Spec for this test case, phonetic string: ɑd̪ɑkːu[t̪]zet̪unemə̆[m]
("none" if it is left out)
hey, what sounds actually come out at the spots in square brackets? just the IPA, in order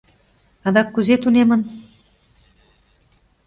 none, n

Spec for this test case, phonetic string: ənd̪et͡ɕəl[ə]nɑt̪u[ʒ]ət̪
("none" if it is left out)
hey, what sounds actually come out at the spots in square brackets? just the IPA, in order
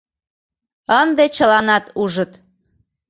ɑ, ʒ

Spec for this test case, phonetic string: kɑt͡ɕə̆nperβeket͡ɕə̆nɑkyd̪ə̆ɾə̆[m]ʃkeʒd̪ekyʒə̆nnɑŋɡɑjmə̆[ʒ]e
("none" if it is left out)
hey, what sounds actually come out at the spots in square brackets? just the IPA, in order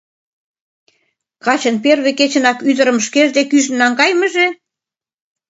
m, ʒ

